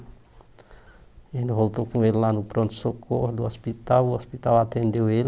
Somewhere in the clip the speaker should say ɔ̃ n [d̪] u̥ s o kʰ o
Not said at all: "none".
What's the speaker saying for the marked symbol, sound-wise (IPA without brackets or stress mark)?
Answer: t̪